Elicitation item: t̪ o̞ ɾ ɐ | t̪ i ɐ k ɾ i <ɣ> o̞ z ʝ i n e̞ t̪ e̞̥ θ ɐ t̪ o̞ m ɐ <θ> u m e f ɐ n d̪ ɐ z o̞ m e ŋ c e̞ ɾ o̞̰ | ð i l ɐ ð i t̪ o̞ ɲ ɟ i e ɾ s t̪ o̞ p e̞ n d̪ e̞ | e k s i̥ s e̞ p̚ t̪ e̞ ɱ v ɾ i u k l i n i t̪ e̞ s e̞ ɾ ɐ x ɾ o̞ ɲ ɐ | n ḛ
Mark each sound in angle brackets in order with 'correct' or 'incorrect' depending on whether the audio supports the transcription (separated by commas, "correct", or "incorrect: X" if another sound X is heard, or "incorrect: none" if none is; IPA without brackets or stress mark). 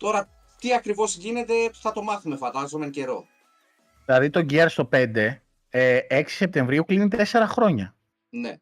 incorrect: v, correct